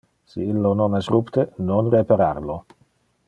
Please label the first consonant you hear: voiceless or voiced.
voiceless